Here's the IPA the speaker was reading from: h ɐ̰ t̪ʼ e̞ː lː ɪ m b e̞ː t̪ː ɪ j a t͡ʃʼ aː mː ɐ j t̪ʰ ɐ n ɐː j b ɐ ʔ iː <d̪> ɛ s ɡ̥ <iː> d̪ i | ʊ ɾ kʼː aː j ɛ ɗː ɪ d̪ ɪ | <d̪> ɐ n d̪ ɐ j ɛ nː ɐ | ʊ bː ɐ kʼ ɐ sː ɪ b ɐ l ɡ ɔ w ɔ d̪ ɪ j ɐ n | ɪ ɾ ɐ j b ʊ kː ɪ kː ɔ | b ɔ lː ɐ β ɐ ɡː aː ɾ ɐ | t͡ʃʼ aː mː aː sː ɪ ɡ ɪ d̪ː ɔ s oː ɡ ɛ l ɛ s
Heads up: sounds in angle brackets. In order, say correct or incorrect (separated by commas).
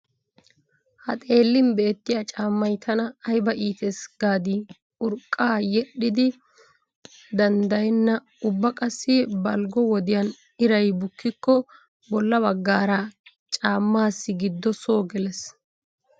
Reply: incorrect, incorrect, correct